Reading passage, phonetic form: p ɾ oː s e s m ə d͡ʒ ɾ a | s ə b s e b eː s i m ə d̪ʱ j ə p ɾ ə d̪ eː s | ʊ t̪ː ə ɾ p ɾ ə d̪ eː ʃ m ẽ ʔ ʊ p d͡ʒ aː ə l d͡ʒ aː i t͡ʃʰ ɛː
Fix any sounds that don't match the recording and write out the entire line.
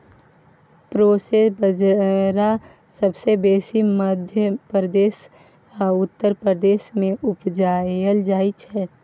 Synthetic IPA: p ɾ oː s e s b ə d͡ʒ ɾ a | s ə b s e b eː s i m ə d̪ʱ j ə p ɾ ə d̪ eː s | ʊ t̪ː ə ɾ p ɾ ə d̪ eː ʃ m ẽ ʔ ʊ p d͡ʒ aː ə l d͡ʒ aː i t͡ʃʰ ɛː

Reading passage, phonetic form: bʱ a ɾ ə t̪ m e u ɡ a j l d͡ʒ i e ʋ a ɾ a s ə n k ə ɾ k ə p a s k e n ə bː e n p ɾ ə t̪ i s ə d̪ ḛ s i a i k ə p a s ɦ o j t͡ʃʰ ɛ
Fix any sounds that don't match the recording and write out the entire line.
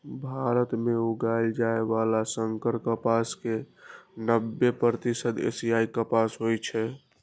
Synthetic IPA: bʱ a ɾ ə t̪ m e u ɡ a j l d͡ʒ a e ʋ a l a s ə ŋ k ə ɾ k ə p a s k e n ə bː e p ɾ ə t̪ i s ə d̪ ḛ s i a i k ə p a s ɦ o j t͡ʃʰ ɛ

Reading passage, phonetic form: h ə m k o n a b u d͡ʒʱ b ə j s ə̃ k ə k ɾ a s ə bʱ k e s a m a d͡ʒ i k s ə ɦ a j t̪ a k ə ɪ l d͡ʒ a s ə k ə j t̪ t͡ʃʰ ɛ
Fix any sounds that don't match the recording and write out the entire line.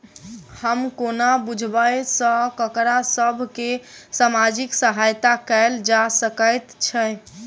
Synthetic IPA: h ə m k o n a b u d͡ʒʱ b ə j s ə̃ k ə k ɾ a s ə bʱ k e s a m a d͡ʒ i k s ə ɦ a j t̪ a k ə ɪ l d͡ʒ a s ə k ə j t̪ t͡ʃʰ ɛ

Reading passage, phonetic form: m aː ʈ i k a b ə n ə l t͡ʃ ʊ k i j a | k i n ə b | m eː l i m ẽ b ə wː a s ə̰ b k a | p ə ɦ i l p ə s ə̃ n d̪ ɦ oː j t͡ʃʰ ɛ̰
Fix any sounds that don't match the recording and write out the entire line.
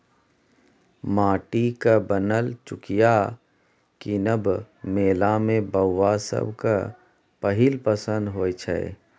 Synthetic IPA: m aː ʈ i k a b ə n ə l t͡ʃ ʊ k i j a | k i n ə b | m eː l a m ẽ b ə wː a s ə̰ b k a | p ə ɦ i l p ə s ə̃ n d̪ ɦ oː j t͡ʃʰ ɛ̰

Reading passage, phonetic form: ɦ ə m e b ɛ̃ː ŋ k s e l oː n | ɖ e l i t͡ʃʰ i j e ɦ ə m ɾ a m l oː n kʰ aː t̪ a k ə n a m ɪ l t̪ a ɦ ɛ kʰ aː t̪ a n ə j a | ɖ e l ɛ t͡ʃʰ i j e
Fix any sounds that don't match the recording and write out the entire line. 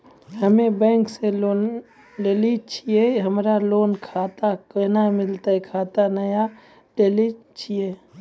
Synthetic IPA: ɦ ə m e b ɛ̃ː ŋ k s e l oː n | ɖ e l i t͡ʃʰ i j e ɦ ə m ɾ a l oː n kʰ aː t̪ a k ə n a m ɪ l t̪ a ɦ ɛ kʰ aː t̪ a n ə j a | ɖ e l i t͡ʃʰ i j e

